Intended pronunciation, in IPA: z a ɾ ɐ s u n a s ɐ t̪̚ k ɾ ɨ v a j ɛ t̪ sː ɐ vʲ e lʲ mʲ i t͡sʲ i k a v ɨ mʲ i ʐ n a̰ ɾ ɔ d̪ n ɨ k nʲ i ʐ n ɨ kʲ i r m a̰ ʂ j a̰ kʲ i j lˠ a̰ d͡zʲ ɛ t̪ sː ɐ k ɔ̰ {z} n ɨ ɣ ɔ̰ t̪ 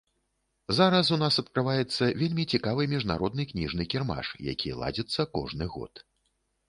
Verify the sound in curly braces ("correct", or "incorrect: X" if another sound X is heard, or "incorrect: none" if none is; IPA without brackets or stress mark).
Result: incorrect: ʐ